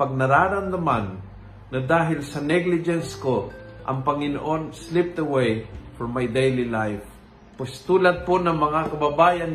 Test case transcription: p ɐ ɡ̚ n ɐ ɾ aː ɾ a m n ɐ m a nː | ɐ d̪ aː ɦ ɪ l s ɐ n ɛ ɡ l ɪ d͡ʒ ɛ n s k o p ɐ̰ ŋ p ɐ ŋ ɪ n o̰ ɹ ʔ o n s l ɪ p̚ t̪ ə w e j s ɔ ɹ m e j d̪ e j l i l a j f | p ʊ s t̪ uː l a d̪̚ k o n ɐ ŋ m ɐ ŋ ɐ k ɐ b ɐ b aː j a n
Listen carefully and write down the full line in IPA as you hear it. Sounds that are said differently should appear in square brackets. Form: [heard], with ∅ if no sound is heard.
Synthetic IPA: p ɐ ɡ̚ n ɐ ɾ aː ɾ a m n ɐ m a nː | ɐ d̪ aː ɦ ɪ l s ɐ n ɛ ɡ l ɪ d͡ʒ ɛ n s k o [ʔ] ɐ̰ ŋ p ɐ ŋ ɪ n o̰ [∅] ʔ o n s l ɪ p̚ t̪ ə w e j [f] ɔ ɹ m [a] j d̪ e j l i l a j f | p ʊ s t̪ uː l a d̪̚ [p] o n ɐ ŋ m ɐ ŋ [a] k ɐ b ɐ b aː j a n